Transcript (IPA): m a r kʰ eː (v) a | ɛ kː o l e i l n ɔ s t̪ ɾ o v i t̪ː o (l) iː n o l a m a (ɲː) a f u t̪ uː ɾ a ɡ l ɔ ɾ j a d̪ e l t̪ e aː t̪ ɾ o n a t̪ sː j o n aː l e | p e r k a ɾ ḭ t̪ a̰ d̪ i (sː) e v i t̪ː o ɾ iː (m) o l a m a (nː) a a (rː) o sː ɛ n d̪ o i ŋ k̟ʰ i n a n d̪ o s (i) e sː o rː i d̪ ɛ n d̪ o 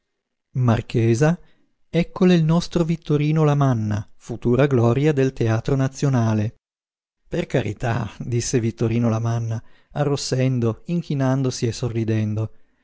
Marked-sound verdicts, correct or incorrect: incorrect: z, incorrect: ɾ, incorrect: nː, correct, incorrect: n, correct, correct, correct

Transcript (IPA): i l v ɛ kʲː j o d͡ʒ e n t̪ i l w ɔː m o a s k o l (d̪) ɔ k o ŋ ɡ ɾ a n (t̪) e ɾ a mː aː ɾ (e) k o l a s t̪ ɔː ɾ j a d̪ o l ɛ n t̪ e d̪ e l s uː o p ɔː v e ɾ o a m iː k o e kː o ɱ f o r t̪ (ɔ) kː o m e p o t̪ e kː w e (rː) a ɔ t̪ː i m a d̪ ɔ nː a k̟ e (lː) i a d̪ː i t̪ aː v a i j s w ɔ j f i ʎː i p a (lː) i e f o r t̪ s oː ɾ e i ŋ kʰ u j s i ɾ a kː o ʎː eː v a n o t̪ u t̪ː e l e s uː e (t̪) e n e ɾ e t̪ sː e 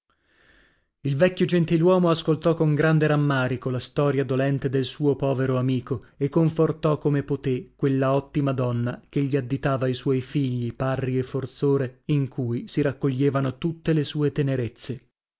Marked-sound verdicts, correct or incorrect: incorrect: t̪, incorrect: d̪, incorrect: i, correct, incorrect: lː, incorrect: ʎː, incorrect: rː, correct

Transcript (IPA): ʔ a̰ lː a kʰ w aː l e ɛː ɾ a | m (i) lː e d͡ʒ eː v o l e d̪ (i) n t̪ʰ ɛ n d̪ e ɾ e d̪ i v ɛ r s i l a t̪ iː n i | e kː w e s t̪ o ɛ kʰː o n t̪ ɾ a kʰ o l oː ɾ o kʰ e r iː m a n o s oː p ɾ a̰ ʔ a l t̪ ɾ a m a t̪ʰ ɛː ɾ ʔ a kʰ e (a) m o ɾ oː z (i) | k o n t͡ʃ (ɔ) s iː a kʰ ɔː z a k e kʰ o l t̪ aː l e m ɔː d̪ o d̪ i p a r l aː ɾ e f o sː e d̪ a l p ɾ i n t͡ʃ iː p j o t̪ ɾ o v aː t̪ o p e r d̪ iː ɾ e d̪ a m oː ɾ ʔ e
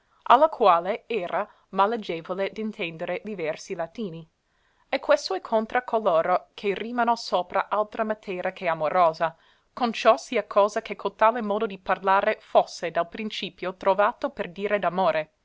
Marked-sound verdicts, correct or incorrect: incorrect: a, correct, correct, incorrect: a, correct

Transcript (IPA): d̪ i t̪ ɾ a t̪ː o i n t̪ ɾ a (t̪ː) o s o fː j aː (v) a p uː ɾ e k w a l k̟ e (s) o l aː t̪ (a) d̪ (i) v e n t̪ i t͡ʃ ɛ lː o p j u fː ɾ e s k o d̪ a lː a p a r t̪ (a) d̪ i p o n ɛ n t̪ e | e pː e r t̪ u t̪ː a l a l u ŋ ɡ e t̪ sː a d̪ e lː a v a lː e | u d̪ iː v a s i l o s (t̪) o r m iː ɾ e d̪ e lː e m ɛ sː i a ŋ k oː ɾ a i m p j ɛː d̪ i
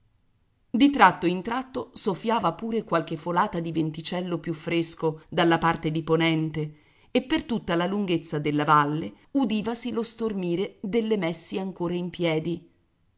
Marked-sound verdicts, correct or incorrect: correct, correct, incorrect: f, correct, correct, incorrect: e, correct

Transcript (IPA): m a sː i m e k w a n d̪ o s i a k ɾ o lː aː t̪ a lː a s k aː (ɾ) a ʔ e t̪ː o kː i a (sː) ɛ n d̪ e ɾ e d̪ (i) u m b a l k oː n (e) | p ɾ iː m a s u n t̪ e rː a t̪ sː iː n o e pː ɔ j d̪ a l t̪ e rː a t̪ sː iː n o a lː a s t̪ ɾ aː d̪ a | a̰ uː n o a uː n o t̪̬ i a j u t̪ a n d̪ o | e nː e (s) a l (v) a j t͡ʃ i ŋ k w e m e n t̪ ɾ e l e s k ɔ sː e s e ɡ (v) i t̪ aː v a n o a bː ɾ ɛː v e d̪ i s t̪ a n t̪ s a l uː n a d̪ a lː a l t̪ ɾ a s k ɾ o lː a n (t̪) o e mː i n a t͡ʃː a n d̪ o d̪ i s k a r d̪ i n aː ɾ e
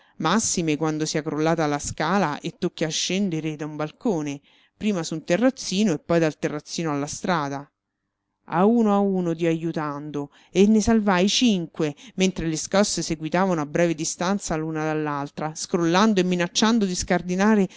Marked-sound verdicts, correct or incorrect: incorrect: l, incorrect: ʃː, incorrect: a, correct, correct, correct, incorrect: w, incorrect: d̪

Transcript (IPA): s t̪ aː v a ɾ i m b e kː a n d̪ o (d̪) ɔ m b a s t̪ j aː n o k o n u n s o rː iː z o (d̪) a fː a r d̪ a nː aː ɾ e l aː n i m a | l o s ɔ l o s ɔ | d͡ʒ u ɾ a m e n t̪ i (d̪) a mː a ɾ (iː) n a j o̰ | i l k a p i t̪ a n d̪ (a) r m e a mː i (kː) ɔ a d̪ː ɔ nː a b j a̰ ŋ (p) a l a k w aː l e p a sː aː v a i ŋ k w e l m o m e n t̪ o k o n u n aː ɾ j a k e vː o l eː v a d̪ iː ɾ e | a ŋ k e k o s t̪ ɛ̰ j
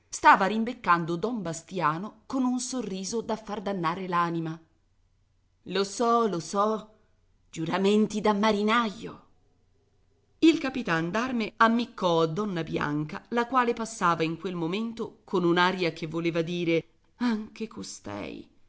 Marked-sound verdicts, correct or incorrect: correct, correct, correct, incorrect: i, correct, correct, incorrect: k

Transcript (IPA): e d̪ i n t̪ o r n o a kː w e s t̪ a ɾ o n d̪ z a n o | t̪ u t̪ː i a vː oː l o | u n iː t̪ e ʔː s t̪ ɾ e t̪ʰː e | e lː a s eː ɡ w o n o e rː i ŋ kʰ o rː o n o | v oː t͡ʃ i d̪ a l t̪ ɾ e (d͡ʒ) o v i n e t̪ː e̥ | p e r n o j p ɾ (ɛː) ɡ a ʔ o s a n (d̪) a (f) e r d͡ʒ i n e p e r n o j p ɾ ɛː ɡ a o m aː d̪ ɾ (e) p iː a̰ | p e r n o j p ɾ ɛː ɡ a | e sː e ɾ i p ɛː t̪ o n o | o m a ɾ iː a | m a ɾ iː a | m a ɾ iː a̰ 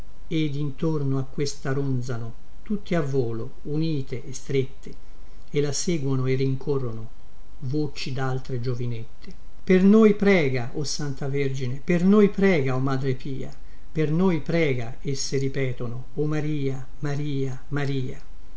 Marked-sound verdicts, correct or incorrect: correct, correct, incorrect: t̪, incorrect: v, correct

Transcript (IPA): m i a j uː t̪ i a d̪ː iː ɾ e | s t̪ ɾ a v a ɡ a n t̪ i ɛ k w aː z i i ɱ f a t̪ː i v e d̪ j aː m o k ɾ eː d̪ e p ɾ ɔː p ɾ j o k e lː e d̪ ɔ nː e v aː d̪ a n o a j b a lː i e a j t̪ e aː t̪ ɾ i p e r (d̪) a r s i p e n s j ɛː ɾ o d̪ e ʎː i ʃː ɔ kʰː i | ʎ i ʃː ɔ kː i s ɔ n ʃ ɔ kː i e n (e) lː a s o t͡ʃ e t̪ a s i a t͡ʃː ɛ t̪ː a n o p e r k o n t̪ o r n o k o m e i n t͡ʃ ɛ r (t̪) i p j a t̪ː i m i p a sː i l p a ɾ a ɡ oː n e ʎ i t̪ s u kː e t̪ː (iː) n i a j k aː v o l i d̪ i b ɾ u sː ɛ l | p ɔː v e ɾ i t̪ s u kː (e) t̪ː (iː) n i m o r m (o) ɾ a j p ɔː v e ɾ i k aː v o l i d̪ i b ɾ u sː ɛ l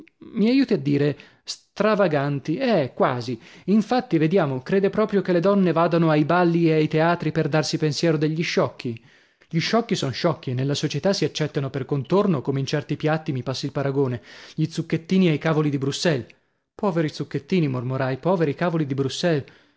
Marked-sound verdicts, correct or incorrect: correct, correct, correct, correct, correct, correct, correct

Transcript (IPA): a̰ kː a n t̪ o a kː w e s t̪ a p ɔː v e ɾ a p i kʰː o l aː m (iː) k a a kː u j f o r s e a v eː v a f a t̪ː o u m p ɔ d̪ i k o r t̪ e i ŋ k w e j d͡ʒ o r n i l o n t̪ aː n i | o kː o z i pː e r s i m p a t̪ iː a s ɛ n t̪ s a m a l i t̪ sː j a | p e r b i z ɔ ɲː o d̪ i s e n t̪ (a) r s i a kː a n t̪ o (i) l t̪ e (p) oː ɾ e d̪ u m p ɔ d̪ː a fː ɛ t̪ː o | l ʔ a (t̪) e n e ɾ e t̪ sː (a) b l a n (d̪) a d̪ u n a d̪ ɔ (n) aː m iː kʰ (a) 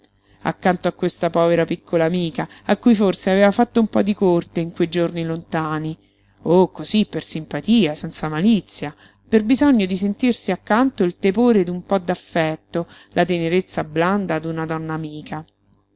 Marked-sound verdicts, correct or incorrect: correct, incorrect: i, correct, correct, correct, correct, correct, incorrect: nː, correct

